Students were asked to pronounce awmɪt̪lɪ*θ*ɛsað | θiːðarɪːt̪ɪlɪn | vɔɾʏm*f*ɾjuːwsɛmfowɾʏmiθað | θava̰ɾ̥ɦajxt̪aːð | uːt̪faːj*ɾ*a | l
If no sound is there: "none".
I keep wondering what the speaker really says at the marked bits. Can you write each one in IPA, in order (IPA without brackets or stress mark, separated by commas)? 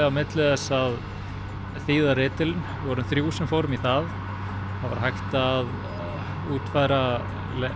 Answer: ð, θ, ɾ